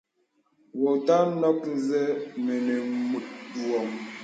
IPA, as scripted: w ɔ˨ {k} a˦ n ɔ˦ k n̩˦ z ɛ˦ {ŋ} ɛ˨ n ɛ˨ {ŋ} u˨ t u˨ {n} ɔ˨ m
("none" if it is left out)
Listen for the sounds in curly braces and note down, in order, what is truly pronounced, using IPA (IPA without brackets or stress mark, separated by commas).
t, m, m, none